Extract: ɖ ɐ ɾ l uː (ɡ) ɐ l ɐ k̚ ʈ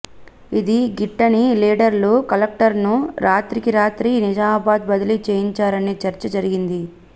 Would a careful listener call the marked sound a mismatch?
yes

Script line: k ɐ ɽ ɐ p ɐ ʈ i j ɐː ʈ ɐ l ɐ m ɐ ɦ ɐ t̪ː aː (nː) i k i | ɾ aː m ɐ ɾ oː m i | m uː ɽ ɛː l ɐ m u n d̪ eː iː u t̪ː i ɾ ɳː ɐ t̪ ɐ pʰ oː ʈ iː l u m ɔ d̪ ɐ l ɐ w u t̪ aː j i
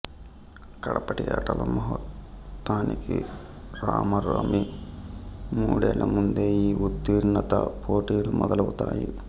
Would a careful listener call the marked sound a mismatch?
yes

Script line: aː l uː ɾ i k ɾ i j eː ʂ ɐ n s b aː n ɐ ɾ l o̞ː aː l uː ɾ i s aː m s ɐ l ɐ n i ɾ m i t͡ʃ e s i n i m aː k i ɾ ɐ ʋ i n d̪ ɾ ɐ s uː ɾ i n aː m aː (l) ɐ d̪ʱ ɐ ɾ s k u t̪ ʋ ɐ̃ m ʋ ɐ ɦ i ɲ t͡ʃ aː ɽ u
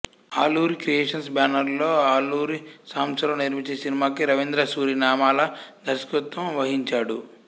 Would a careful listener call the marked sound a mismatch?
no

